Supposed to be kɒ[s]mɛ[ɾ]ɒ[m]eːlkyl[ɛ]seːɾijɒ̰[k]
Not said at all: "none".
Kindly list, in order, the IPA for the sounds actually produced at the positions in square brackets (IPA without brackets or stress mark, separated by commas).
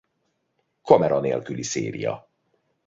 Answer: none, ɾ, n, i, none